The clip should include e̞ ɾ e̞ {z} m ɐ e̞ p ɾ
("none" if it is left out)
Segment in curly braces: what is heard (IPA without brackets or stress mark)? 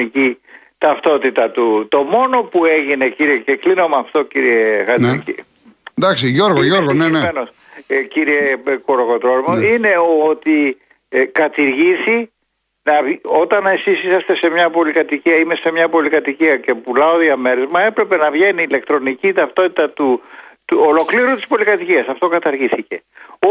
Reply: z